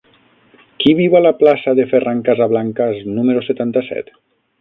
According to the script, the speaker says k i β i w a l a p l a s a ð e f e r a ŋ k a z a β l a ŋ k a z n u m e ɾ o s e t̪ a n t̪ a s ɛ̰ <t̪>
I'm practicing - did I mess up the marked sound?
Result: no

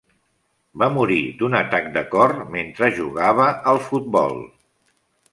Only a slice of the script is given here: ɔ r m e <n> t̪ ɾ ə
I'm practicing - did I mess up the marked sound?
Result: no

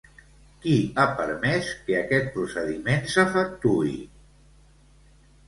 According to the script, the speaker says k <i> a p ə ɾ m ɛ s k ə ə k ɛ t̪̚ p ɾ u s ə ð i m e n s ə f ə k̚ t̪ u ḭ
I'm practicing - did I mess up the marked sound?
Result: no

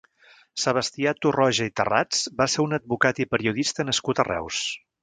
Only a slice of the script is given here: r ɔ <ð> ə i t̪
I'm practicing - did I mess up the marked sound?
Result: yes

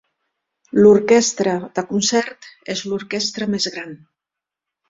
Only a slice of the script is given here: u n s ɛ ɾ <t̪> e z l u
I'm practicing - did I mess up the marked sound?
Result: no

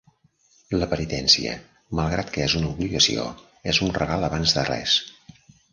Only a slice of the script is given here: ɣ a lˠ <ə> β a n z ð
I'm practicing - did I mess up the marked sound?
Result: no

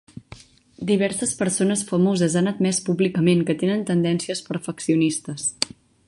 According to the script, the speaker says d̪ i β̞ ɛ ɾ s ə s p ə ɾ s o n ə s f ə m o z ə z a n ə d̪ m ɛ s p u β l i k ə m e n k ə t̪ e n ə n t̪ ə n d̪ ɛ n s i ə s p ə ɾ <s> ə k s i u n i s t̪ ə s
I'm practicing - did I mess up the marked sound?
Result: yes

